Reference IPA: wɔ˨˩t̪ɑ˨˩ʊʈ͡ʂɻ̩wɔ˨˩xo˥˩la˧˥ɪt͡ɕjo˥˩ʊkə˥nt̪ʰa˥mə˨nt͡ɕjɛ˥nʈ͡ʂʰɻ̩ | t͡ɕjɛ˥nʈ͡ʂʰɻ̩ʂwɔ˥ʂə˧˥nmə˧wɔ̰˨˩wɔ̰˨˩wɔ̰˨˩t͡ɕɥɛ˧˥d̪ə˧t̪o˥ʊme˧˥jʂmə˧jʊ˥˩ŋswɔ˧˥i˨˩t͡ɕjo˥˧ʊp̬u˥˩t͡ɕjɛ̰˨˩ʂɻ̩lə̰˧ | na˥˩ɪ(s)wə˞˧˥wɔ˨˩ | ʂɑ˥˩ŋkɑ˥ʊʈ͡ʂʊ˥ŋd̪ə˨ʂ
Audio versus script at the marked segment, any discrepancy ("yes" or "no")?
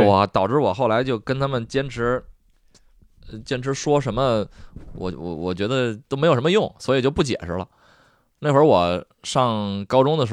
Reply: yes